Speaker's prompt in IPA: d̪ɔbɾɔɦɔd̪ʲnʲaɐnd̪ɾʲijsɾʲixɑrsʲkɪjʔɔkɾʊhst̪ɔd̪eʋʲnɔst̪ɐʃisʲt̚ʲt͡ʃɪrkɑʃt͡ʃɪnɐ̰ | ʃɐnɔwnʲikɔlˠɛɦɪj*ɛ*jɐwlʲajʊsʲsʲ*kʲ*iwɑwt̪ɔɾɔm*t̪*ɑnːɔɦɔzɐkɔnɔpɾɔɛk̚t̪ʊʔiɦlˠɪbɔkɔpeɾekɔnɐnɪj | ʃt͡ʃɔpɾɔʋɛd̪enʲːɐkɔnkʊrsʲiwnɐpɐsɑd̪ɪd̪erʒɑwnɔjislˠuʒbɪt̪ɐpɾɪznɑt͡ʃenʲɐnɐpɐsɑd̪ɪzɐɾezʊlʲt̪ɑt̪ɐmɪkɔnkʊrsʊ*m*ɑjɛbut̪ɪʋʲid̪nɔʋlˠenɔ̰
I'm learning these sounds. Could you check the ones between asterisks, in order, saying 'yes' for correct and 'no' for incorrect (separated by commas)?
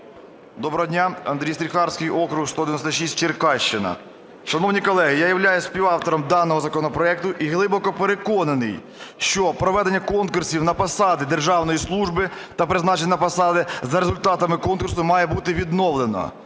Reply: no, no, no, yes